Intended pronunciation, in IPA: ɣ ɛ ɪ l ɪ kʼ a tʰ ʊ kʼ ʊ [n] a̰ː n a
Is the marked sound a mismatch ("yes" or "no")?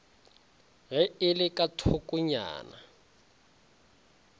yes